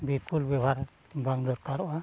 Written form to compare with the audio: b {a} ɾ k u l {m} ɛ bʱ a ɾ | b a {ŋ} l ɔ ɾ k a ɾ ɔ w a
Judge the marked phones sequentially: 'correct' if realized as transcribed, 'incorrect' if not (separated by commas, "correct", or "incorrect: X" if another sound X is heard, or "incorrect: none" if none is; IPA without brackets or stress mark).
incorrect: i, incorrect: b, correct